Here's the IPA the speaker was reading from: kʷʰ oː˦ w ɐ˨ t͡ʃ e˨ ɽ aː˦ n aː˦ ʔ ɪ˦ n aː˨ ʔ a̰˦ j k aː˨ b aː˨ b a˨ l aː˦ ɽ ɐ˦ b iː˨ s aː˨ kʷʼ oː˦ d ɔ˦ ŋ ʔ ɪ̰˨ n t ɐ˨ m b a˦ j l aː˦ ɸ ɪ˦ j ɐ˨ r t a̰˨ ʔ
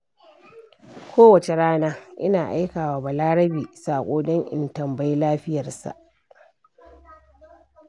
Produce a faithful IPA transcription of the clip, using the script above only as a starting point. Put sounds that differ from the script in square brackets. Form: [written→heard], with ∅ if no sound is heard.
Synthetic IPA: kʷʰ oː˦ w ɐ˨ t͡ʃ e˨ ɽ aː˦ n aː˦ ʔ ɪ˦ n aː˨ ʔ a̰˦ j k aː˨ [b→w] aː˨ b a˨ l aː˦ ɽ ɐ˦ b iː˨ s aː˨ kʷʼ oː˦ d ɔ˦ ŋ ʔ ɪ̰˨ n t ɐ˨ m b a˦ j l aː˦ ɸ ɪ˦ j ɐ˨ r [t→s] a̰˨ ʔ